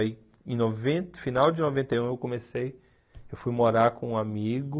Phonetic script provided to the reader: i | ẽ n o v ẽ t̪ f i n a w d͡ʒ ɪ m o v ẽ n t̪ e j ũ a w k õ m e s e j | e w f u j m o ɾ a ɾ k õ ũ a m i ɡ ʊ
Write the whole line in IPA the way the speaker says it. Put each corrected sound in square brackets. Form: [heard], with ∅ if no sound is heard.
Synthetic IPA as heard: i | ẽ n o v ẽ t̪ f i n a w d͡ʒ ɪ [n] o v ẽ n t̪ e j ũ [e] w k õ m e s e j | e w f u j m o ɾ a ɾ k õ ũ a m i ɡ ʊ

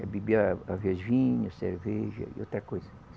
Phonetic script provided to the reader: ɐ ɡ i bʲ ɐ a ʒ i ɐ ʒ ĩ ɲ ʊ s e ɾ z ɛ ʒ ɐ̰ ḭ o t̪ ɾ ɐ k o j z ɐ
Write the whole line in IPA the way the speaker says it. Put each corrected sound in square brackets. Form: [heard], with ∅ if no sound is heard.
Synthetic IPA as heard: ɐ [b] i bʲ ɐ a [v] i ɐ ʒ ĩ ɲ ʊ s e ɾ [v] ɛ ʒ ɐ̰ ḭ o t̪ ɾ ɐ k o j z ɐ

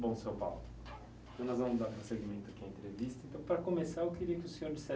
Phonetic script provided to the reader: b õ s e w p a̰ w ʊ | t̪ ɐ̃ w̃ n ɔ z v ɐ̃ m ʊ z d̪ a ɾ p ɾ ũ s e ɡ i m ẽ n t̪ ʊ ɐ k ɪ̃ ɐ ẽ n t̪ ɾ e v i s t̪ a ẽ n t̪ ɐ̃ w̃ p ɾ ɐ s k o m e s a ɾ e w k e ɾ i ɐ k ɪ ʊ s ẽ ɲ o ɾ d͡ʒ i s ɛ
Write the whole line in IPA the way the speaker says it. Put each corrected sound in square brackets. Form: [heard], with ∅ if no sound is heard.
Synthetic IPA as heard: b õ s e w p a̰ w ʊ | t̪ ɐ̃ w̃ n ɔ z v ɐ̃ m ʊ z d̪ a ɾ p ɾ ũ s e ɡ i m ẽ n t̪ ʊ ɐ k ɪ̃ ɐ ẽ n t̪ ɾ e v i s t̪ [ɐ] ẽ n t̪ ɐ̃ w̃ p ɾ ɐ [∅] k o m e s a ɾ e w k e ɾ i ɐ k ɪ ʊ s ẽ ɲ o ɾ d͡ʒ i s ɛ

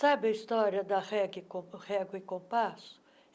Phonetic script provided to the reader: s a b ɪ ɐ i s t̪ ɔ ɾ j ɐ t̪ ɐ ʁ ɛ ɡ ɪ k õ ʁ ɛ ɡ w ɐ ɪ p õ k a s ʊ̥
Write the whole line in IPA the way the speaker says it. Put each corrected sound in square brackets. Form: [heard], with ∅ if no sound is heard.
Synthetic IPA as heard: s a b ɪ ɐ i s t̪ ɔ ɾ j ɐ [d̪] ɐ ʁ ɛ ɡ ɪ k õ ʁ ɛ ɡ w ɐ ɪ [k] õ [p] a s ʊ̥

